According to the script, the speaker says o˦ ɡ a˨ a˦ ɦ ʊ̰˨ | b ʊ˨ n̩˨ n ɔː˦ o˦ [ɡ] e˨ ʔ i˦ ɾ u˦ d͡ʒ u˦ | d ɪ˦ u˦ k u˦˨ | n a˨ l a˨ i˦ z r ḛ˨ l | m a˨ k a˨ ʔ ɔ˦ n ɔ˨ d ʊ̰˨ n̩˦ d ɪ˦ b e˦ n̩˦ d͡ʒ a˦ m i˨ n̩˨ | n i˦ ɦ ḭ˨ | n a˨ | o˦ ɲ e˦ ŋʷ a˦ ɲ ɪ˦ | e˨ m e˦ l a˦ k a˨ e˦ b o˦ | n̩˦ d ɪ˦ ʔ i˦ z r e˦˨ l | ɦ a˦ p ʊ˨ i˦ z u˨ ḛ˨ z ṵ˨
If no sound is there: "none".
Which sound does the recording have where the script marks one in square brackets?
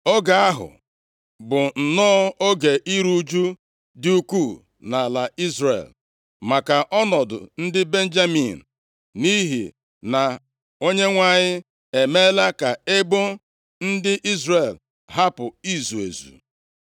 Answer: ɡ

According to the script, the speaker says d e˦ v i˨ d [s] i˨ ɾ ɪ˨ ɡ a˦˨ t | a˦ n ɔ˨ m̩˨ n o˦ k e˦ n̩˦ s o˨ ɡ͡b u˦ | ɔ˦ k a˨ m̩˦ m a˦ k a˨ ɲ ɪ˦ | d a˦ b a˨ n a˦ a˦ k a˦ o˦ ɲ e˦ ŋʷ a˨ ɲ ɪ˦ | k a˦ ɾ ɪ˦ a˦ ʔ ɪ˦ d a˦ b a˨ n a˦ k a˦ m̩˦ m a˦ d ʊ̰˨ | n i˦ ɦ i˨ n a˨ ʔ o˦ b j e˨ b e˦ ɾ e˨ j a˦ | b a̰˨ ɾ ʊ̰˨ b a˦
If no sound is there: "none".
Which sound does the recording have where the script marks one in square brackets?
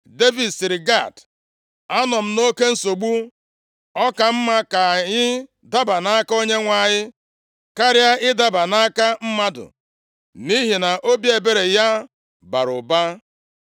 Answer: s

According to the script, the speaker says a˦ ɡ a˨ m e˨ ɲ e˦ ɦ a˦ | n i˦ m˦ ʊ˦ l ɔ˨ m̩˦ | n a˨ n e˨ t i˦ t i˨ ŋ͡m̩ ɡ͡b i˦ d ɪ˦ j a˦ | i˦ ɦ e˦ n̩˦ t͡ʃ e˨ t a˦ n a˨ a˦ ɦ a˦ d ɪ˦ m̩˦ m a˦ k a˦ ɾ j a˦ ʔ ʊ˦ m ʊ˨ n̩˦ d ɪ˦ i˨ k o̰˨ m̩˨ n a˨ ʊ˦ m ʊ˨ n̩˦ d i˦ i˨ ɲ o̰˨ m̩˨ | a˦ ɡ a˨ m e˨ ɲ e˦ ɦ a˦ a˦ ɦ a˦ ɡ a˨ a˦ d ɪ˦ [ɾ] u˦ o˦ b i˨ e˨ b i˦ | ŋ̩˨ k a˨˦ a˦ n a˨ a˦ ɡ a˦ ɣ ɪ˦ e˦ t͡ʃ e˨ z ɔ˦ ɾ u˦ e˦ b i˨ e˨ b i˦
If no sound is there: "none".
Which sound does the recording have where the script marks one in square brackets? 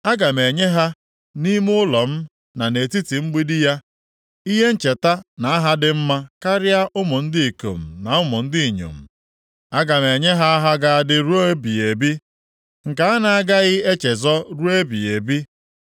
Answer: ɾ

